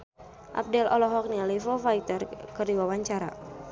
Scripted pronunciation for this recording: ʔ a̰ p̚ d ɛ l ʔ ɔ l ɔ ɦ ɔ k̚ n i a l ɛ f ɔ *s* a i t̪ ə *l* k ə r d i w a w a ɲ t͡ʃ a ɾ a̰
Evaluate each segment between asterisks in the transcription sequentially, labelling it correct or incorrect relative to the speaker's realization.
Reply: incorrect, incorrect

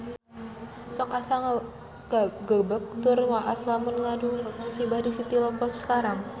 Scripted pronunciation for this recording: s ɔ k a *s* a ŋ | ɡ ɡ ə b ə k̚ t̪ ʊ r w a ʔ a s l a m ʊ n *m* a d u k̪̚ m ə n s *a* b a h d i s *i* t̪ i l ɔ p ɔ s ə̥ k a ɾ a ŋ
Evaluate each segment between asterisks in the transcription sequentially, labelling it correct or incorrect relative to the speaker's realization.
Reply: correct, incorrect, incorrect, correct

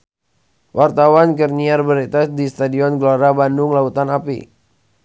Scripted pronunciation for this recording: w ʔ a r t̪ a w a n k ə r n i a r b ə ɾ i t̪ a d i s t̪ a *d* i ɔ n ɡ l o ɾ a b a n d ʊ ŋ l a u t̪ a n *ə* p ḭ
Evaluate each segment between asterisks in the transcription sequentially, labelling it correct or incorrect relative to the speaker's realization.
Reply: correct, incorrect

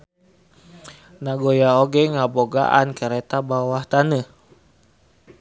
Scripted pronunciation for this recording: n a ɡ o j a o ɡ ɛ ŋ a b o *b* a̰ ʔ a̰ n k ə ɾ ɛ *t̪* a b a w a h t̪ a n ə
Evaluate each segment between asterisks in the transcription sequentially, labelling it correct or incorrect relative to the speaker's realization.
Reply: incorrect, correct

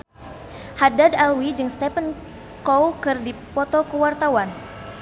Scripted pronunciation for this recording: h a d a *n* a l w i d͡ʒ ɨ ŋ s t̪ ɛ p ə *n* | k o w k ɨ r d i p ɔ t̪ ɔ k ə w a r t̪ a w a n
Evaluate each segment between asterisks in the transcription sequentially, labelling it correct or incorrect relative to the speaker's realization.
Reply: incorrect, correct

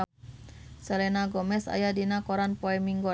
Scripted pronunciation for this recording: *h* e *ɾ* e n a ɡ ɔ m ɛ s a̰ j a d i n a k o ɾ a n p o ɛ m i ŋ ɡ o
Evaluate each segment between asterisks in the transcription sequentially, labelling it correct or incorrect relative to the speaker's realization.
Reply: incorrect, incorrect

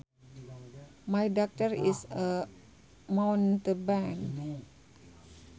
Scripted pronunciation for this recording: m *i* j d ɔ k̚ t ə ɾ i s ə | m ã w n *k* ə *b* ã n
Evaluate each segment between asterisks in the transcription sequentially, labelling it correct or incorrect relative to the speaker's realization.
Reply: incorrect, incorrect, correct

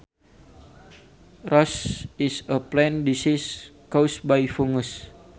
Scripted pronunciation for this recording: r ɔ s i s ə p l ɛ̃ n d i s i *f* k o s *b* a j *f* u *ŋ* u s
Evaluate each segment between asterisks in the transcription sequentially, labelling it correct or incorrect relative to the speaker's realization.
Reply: incorrect, correct, correct, correct

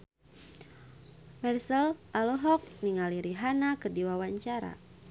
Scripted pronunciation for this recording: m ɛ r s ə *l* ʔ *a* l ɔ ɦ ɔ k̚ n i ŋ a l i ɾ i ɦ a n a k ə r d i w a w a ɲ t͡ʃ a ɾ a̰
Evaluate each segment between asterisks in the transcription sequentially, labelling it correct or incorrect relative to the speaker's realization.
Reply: correct, correct

